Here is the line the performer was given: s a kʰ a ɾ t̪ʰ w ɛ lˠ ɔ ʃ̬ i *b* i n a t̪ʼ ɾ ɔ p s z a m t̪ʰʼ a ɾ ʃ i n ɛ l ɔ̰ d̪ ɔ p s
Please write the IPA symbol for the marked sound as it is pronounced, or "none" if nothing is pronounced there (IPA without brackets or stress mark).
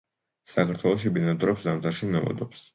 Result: b